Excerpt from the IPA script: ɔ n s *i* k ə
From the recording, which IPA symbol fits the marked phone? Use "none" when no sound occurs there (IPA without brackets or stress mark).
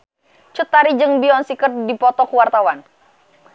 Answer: i